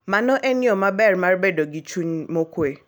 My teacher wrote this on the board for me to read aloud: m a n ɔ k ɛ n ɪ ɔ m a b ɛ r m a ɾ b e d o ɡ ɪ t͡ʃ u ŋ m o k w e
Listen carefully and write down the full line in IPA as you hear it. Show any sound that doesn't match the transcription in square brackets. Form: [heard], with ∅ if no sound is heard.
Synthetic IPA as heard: m a n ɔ [ʔ] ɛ n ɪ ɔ m a b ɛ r m a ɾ b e d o ɡ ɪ t͡ʃ u [ɲ] m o k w e